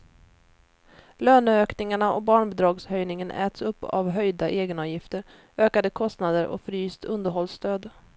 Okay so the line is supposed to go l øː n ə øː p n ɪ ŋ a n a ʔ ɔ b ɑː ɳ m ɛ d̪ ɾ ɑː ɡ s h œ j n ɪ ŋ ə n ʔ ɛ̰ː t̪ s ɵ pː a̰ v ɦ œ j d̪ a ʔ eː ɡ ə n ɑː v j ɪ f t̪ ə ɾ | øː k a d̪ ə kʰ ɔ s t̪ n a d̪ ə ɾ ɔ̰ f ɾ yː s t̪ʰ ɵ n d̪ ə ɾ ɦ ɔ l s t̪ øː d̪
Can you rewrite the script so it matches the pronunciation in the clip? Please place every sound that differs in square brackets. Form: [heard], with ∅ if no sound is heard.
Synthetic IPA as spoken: l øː n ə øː [k] n ɪ ŋ a [ɳ] a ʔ ɔ b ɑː ɳ [b] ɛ d̪ ɾ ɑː ɡ s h œ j n ɪ ŋ ə n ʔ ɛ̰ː t̪ s ɵ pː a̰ v ɦ œ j d̪ a ʔ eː ɡ ə n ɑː v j ɪ f t̪ ə ɾ | øː k a d̪ ə kʰ ɔ s t̪ n a d̪ ə ɾ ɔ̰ f ɾ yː s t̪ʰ ɵ n d̪ ə ɾ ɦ ɔ l s t̪ øː d̪